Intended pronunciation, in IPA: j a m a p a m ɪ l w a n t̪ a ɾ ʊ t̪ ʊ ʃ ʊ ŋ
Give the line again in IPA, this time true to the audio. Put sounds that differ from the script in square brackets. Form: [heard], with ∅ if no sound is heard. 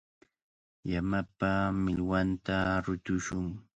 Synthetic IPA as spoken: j a m a p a m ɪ l w a n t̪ a ɾ ʊ t̪ ʊ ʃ ʊ ŋ